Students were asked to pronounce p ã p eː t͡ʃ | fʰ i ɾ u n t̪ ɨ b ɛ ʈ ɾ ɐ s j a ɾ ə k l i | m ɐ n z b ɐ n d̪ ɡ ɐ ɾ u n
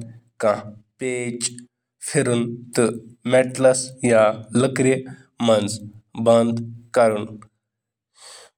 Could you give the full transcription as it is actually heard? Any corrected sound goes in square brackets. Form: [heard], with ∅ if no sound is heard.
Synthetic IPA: [k] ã p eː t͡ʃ | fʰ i ɾ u n t̪ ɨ [m] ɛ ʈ [l] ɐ s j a [l] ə k [ɾ] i | m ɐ n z b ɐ n d̪ [k] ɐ ɾ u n